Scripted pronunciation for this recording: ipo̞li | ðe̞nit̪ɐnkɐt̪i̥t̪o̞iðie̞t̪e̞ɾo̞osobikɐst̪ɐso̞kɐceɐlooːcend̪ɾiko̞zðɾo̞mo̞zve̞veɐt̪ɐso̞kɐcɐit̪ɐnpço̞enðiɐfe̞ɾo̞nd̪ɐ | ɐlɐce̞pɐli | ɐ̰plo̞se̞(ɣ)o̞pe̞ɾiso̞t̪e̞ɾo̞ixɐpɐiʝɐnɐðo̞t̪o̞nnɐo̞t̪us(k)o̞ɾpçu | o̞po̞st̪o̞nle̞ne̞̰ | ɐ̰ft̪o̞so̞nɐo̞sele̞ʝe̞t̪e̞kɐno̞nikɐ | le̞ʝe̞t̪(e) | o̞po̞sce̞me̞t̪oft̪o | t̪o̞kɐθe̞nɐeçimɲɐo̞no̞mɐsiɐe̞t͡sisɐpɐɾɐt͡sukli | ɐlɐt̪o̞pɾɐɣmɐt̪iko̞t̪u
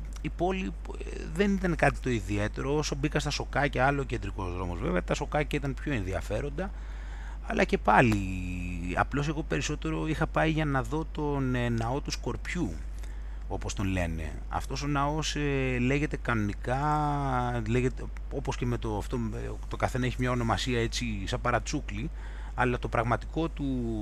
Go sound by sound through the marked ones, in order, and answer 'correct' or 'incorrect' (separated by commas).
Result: correct, correct, correct